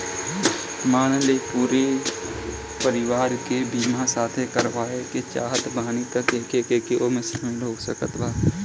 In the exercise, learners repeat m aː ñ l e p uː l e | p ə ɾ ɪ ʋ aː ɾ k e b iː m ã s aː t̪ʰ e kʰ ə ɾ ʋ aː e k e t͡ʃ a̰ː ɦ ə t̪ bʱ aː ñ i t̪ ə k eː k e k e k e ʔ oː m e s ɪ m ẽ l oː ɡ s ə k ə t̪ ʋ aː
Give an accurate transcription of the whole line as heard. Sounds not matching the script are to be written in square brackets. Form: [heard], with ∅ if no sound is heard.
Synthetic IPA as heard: m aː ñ l e p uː [ɾ] e | p ə ɾ ɪ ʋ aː ɾ k e b iː m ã s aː t̪ʰ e [k] ə ɾ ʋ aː e k e t͡ʃ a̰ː ɦ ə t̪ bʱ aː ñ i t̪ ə k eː k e k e k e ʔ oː m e s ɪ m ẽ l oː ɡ s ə k ə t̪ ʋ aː